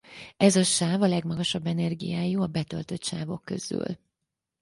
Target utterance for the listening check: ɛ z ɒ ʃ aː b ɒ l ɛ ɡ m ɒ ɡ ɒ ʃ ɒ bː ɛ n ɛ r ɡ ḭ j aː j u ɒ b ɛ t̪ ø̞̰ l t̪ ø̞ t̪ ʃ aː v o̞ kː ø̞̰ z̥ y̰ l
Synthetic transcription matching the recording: ɛ z ɒ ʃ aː v ɒ l ɛ ɡ m ɒ ɡ ɒ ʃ ɒ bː ɛ n ɛ r ɡ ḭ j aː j u ɒ b ɛ t̪ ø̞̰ l t̪ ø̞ t̪ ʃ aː v o̞ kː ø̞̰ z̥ y̰ l